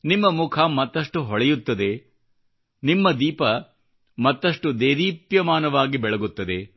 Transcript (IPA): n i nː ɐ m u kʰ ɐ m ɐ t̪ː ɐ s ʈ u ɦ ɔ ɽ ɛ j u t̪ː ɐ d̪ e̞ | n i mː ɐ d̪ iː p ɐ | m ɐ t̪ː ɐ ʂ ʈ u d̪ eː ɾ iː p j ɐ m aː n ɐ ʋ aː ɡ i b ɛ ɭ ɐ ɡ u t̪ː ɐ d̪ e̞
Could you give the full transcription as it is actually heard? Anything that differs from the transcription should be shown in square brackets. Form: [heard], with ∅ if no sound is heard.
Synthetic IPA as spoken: n i [mː] ɐ m u kʰ ɐ m ɐ t̪ː ɐ [ʂ] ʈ u ɦ ɔ [ɭ] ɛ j u t̪ː ɐ d̪ e̞ | n i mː ɐ d̪ iː p ɐ | m ɐ t̪ː ɐ ʂ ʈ u d̪ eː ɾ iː p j ɐ m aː n ɐ ʋ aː ɡ i b ɛ ɭ ɐ ɡ u t̪ː ɐ d̪ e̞